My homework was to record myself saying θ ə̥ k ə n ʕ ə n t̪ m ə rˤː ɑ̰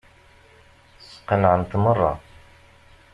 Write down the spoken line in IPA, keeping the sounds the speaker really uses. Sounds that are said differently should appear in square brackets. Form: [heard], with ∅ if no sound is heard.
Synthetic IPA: [s] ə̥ [q] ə n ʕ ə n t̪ m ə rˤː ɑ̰